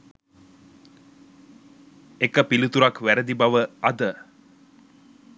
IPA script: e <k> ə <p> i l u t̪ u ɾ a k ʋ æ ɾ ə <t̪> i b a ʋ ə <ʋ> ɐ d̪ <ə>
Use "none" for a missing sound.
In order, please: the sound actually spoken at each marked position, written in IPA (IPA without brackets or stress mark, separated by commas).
k, p, d̪, none, ə